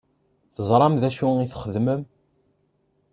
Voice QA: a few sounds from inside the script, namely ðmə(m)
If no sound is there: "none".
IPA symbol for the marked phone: m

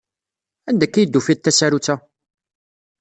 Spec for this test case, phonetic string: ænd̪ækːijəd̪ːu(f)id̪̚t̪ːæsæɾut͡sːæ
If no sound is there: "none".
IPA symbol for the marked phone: f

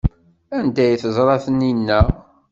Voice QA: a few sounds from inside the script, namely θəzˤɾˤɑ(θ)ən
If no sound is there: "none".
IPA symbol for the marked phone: θ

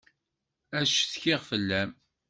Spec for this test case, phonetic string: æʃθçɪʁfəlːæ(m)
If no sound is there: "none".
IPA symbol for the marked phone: m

